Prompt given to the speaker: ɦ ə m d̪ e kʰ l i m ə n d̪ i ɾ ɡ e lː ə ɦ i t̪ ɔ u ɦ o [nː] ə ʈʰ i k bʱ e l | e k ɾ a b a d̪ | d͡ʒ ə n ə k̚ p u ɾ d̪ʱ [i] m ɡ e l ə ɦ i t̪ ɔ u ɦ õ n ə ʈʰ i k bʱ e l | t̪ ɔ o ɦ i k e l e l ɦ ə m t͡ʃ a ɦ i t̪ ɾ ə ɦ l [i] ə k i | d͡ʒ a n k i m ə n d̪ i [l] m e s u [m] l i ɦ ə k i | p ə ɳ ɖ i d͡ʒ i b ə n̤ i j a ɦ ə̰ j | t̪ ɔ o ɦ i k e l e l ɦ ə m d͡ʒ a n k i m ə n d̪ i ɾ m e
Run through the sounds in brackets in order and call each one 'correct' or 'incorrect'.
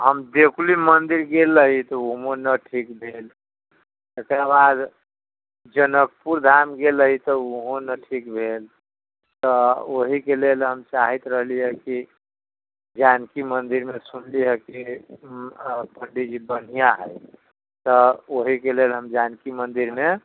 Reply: incorrect: n, incorrect: a, correct, incorrect: ɾ, incorrect: n

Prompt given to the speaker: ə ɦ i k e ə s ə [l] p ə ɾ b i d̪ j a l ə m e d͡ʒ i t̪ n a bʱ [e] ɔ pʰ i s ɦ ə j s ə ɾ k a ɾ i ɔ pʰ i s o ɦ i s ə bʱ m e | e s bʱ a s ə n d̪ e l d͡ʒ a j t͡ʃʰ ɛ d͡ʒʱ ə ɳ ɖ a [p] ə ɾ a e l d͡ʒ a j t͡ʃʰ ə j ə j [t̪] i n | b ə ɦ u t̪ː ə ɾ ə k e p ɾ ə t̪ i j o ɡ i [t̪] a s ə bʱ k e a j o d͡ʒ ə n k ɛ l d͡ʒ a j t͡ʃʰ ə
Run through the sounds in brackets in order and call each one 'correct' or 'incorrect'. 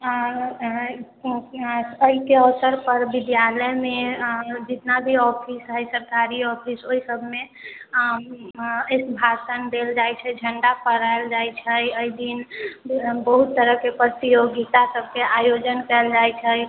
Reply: incorrect: ɾ, incorrect: i, correct, incorrect: d̪, correct

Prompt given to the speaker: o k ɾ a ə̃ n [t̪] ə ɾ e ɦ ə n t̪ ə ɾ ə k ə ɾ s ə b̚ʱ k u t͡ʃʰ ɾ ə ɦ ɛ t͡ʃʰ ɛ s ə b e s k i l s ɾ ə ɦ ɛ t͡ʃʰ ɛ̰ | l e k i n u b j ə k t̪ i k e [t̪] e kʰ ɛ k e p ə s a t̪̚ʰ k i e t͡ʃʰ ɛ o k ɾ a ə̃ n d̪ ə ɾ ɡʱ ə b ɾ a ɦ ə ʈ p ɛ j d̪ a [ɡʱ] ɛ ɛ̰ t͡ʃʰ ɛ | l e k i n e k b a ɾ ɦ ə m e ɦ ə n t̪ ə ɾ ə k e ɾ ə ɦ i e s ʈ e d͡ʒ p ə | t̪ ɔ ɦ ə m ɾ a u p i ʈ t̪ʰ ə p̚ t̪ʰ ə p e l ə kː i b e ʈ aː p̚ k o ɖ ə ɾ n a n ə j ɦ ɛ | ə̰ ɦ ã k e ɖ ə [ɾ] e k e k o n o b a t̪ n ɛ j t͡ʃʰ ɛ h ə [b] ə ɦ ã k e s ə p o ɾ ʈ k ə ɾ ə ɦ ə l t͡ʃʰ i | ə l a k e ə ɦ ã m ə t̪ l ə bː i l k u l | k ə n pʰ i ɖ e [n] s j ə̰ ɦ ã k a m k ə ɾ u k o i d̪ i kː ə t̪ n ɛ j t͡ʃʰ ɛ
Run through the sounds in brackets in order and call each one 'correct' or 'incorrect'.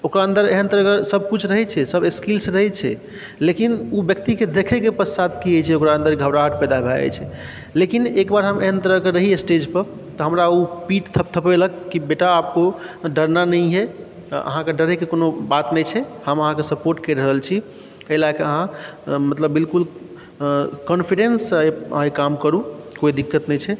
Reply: incorrect: d̪, incorrect: d̪, incorrect: bʱ, correct, incorrect: m, correct

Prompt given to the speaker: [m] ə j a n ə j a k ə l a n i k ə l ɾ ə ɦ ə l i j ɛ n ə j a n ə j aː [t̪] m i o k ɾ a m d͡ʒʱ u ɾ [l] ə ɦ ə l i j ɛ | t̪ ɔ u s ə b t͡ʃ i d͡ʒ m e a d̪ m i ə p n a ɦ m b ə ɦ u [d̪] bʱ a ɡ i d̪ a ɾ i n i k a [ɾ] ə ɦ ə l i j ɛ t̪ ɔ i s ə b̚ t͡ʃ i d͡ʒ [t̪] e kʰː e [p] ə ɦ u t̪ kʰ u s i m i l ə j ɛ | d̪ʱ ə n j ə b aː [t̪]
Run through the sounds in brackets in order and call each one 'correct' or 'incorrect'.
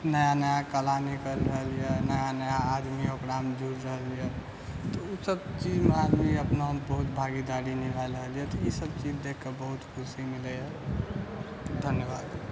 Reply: incorrect: n, incorrect: d̪, incorrect: ɾ, incorrect: t̪, incorrect: l, incorrect: d̪, incorrect: b, incorrect: d̪

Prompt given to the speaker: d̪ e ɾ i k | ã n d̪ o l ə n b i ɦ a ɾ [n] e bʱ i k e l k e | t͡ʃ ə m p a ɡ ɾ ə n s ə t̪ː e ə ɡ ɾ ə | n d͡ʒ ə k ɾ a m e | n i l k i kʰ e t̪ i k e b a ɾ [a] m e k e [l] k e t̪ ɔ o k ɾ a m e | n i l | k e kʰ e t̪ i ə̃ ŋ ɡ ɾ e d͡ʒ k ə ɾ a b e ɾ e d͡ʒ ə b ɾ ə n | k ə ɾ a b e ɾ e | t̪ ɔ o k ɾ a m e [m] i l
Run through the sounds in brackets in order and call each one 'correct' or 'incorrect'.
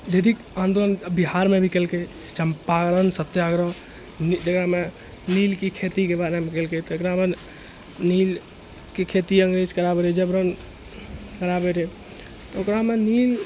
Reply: incorrect: m, incorrect: e, correct, incorrect: n

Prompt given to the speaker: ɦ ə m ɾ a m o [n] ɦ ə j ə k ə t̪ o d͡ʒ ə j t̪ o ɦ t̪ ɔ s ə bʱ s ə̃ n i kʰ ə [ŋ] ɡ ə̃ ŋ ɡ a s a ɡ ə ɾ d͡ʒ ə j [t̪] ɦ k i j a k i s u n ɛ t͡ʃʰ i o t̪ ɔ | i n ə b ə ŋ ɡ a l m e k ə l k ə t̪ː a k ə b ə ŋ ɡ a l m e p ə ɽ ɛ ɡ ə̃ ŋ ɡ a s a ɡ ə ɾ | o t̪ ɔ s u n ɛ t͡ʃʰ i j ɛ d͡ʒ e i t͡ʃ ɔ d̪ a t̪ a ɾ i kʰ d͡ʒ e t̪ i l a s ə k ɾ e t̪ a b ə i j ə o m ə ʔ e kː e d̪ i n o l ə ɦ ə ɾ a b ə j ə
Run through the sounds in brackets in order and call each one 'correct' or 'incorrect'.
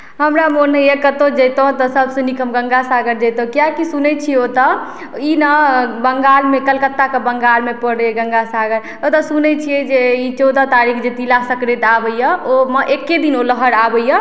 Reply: correct, incorrect: m, correct

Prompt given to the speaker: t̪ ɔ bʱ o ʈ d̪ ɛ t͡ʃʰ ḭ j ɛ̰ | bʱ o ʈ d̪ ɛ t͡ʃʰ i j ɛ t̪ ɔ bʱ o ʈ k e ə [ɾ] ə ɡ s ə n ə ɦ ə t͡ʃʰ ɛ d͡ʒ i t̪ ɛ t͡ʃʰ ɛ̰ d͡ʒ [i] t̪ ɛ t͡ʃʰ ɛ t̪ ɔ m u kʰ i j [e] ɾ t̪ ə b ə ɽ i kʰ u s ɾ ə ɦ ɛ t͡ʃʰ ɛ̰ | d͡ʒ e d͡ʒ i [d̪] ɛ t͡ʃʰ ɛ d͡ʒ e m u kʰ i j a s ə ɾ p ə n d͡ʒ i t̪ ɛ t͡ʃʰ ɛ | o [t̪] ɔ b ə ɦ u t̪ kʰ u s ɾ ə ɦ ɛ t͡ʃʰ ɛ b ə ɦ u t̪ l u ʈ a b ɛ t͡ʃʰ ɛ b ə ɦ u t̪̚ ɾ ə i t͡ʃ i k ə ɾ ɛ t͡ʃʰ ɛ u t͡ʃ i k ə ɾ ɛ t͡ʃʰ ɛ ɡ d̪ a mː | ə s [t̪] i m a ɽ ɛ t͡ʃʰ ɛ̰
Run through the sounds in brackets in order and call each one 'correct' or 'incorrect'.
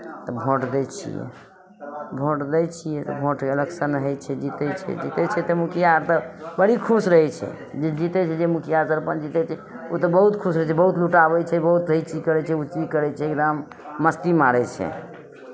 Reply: incorrect: l, correct, incorrect: a, incorrect: t̪, correct, correct

